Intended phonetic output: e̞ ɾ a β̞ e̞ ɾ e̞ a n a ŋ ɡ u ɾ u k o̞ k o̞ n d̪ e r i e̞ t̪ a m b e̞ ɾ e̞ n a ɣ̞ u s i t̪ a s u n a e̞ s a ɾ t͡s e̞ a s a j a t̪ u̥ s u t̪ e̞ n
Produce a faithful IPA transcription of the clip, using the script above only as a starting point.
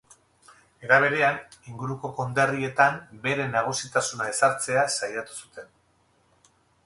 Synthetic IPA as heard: e̞ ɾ a β̞ e̞ ɾ e̞ a n i ŋ ɡ u ɾ u k o̞ k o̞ n d̪ e r i e̞ t̪ a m b e̞ ɾ e̞ n a ɣ̞ u s i t̪ a s u n a e̞ s a ɾ t͡s e̞ a s a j a t̪ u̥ s u t̪ e̞ n